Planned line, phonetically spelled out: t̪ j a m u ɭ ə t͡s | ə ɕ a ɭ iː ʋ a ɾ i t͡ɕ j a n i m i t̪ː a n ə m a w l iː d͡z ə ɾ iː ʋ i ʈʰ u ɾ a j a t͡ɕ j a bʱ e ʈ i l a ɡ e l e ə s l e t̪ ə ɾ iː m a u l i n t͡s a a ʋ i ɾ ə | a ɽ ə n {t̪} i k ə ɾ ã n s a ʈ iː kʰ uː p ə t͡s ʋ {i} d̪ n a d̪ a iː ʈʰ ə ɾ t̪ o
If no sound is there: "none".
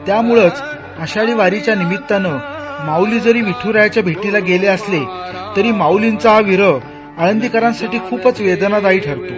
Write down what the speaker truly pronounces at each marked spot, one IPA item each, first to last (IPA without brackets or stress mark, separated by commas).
d̪, e